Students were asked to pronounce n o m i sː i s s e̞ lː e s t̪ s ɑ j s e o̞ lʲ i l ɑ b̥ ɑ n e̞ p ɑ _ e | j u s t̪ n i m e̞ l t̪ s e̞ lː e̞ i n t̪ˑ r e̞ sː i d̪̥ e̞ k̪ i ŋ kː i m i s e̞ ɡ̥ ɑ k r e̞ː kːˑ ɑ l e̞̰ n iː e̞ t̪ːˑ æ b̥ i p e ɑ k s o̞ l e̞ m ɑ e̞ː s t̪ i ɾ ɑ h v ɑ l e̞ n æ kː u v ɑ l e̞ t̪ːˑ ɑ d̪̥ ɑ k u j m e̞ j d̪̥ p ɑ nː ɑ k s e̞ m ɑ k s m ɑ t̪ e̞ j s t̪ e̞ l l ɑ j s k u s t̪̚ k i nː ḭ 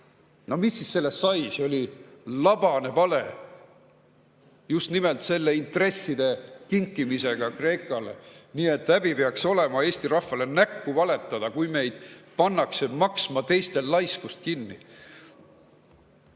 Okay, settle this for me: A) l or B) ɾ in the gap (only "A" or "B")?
A